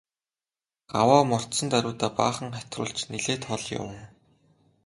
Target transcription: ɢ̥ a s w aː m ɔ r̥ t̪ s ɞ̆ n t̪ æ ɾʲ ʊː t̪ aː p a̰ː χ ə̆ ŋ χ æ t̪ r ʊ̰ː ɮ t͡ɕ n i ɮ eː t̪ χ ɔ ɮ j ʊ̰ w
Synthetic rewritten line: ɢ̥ a w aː m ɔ r̥ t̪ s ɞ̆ n t̪ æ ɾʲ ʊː t̪ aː p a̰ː χ ə̆ ŋ χ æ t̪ r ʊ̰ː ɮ t͡ɕ n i ɮ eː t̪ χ ɔ ɮ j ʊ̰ w

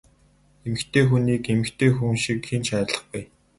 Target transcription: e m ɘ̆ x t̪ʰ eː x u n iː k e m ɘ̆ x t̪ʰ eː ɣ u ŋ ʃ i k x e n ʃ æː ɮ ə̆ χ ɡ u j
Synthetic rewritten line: e m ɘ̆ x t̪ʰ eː x u n iː k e m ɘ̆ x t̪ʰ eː x u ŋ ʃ i k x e n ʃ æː ɮ ə̆ χ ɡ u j

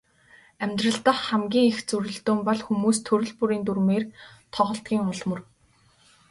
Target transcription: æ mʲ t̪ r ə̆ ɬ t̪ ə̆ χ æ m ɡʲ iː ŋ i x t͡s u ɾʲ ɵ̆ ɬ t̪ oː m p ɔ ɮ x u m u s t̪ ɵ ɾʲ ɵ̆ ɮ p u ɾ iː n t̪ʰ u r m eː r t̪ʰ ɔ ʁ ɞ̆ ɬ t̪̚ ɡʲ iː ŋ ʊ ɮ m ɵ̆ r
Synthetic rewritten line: æ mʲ t̪ r ə̆ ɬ t̪ ə̆ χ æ m ɡʲ iː ŋ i x t͡s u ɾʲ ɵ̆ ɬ t̪ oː m p ɔ ɮ x u m uː s t̪ʰ ɵ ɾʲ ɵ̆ ɮ p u ɾ iː n t̪ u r m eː r t̪ʰ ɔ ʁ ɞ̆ ɬ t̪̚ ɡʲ iː ŋ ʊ ɮ m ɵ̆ r

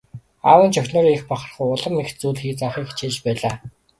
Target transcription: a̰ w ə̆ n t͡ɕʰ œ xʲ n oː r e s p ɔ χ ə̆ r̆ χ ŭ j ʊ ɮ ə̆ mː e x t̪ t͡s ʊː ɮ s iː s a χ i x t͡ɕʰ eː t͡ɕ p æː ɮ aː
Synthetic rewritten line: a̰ w ə̆ n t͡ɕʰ œ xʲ n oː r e x p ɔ χ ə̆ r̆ χ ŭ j ʊ ɮ ə̆ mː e x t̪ t͡s uː ɮ x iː t͡s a χ iː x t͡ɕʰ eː t͡ɕ p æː ɮ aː

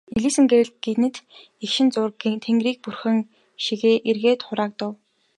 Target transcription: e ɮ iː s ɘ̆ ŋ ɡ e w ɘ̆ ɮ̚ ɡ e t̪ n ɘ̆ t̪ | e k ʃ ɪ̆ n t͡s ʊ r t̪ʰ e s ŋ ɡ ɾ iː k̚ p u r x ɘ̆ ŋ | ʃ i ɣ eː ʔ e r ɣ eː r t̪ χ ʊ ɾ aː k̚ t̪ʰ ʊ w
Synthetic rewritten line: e ɮ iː s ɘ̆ ŋ ɡ e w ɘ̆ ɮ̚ ɡ e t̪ n ɘ̆ t̪ | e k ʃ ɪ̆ n t͡s ʊ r t̪ʰ e ŋ ɡ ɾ iː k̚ p u r x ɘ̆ ŋ | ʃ i ɣ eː ʔ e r ɣ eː t̪ χ ʊ ɾ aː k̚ t̪ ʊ w

